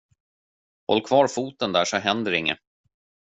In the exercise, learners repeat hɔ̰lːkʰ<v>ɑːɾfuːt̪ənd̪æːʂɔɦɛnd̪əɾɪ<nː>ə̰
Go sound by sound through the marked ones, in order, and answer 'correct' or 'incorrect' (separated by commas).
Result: correct, incorrect